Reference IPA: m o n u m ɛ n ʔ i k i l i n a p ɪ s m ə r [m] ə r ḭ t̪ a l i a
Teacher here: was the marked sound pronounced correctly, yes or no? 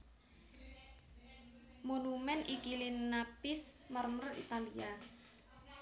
yes